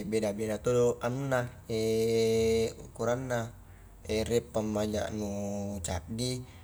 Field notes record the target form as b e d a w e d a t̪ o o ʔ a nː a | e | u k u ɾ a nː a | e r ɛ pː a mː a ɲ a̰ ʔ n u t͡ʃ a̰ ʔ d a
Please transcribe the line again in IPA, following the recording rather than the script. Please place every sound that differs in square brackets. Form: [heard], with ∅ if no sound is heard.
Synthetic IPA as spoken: b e d a [b] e d a t̪ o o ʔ a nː a | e | u k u ɾ a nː a | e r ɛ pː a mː a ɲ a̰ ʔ n u t͡ʃ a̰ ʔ d [i]